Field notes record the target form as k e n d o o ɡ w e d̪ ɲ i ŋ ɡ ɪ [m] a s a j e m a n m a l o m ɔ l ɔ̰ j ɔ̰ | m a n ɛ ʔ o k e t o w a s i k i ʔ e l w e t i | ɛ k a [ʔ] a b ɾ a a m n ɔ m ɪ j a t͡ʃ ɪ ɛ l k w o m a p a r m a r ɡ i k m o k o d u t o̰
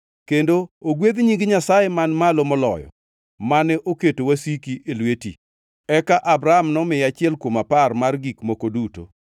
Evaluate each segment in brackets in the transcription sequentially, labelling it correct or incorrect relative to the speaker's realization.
incorrect: ɲ, correct

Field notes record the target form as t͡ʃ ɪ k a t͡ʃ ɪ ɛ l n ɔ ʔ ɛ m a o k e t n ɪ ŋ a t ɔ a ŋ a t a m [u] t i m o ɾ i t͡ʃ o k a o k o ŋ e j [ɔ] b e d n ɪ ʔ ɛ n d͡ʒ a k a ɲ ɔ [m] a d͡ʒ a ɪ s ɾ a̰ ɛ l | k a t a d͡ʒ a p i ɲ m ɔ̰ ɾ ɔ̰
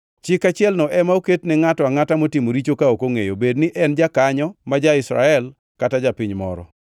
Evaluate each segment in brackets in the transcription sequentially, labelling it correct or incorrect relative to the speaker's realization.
incorrect: o, incorrect: o, correct

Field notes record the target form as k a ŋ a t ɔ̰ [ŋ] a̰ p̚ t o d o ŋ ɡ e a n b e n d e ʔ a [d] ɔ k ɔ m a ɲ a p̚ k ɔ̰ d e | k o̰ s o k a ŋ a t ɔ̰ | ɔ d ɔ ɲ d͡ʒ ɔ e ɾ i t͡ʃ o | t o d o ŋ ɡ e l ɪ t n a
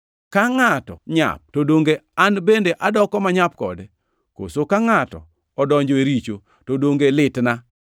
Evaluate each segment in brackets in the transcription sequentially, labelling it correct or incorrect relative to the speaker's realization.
incorrect: ɲ, correct

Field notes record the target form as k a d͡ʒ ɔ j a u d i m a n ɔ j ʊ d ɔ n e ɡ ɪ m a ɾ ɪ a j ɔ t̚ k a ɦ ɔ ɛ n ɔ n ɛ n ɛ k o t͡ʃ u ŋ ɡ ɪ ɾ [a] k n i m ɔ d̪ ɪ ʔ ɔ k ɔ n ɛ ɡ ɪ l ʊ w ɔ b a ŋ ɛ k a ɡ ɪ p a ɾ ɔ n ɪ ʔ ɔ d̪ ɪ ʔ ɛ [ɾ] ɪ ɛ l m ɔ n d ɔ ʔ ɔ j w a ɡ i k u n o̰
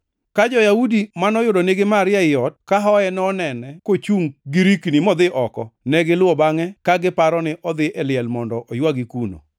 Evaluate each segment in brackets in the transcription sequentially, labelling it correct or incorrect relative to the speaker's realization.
incorrect: i, incorrect: l

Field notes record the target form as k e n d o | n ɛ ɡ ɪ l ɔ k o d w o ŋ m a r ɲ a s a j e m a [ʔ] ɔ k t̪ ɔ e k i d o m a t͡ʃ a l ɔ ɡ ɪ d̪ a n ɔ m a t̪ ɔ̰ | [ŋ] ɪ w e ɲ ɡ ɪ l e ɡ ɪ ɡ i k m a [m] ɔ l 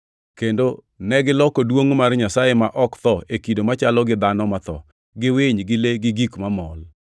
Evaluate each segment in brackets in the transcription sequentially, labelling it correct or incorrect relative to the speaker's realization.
correct, incorrect: ɡ, correct

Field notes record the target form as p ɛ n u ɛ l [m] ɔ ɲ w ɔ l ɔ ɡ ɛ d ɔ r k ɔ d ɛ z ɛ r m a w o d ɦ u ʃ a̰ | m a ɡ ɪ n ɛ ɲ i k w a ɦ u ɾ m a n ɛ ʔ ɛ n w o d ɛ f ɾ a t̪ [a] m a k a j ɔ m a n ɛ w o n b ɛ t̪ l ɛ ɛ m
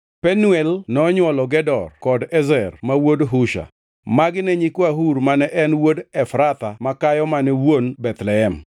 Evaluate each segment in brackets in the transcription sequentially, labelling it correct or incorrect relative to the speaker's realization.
incorrect: n, correct

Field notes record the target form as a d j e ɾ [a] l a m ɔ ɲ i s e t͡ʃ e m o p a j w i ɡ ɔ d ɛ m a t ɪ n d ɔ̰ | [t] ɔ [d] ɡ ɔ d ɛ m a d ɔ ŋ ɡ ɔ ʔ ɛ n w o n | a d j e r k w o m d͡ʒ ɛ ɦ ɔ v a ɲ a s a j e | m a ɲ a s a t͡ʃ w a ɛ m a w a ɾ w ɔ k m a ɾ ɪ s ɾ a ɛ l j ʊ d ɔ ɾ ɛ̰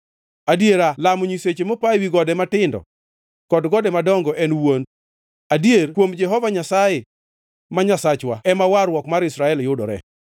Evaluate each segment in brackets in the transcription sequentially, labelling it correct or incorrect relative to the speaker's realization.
correct, incorrect: k, correct

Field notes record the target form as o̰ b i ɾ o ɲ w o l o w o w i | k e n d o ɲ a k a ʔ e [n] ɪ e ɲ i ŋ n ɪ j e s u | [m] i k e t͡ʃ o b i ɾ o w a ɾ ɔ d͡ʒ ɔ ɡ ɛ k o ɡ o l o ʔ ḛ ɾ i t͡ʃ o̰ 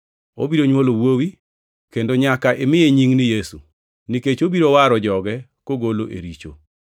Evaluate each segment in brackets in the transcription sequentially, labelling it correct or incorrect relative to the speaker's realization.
incorrect: m, incorrect: n

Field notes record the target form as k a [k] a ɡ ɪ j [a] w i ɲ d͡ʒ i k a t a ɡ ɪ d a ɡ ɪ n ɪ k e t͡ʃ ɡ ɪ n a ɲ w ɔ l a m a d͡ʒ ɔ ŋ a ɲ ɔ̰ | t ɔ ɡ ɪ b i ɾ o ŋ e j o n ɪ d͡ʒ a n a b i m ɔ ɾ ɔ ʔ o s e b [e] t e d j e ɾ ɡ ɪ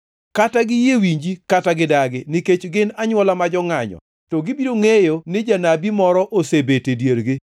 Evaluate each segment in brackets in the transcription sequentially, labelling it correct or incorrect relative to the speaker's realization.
incorrect: t, incorrect: e, correct

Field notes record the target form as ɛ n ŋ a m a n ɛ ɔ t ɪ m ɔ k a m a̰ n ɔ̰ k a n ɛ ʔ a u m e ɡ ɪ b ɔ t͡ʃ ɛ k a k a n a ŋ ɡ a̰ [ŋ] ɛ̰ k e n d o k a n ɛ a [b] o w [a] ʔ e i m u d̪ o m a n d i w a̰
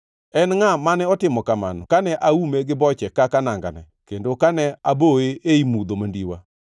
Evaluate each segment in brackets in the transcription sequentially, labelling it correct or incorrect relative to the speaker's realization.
incorrect: n, correct, incorrect: e

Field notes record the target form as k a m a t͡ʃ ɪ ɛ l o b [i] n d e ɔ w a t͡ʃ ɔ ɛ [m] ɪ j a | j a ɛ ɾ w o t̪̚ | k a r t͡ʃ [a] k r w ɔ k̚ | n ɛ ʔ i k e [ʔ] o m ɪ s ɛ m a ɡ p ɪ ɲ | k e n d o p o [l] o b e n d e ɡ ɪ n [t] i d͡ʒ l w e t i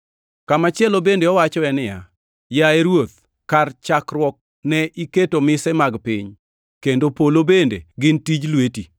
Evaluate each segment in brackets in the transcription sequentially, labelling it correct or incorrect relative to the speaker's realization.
incorrect: e, incorrect: n, correct, incorrect: t, correct, correct

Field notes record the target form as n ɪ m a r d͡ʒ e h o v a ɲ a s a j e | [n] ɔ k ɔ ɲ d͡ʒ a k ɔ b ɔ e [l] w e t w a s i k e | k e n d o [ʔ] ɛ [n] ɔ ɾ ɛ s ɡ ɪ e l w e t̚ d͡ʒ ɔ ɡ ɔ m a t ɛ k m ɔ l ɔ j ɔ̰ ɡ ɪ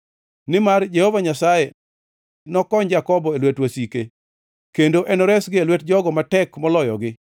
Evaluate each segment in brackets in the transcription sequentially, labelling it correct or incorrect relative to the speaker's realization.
correct, correct, correct, correct

